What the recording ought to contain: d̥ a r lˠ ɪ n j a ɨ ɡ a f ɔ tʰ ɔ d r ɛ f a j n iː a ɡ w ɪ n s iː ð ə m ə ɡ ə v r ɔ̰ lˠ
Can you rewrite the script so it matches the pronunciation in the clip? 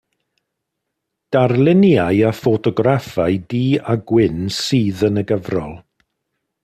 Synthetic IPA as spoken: d̥ a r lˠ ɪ n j a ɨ a f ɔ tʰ ɔ ɡ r a f a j d iː a ɡ w ɪ n s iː ð ə n ə ɡ ə v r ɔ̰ lˠ